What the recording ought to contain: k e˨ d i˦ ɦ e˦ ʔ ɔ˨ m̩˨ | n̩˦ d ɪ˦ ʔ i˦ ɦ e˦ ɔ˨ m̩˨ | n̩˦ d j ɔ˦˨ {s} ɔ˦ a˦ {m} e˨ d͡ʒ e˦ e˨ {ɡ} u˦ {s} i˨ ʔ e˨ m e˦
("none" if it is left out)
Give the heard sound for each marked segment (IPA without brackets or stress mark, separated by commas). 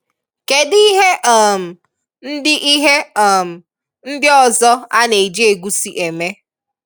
z, n, ɡ, s